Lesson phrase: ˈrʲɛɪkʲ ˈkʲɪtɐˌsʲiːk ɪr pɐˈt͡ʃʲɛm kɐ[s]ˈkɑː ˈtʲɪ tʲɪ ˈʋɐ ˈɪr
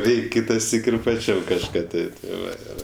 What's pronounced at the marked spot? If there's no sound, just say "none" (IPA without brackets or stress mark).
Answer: ʃ